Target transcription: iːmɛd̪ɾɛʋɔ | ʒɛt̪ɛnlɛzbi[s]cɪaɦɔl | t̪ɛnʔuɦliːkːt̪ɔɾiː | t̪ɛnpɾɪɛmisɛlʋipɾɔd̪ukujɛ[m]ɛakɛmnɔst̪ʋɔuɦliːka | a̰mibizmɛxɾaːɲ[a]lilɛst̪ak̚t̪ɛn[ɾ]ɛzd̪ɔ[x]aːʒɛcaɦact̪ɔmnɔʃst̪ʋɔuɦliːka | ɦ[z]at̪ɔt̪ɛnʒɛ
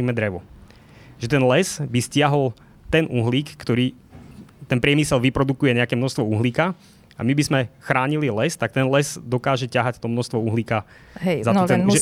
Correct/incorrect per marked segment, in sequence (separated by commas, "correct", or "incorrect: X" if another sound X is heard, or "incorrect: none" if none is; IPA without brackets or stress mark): correct, incorrect: ɲ, incorrect: i, incorrect: l, incorrect: k, correct